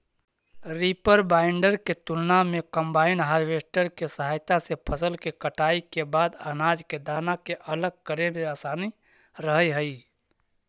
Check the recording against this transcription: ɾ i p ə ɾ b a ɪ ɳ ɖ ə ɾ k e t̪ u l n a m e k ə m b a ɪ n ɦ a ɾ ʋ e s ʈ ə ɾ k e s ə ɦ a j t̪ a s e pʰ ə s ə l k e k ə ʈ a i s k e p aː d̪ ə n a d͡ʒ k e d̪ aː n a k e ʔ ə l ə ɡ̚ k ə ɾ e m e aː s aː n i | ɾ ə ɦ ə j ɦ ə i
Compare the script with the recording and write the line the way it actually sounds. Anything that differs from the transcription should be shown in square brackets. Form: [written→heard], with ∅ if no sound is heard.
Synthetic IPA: ɾ i p ə ɾ b a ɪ ɳ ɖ ə ɾ k e t̪ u l n a m e k ə m b a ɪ n ɦ a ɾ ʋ e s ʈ ə ɾ k e s ə ɦ a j t̪ a s e pʰ ə s ə l k e k ə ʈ a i [s→∅] k e [p→b] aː d̪ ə n a d͡ʒ k e d̪ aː n a k e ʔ ə l ə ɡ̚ k ə ɾ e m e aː s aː n i | ɾ ə ɦ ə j ɦ ə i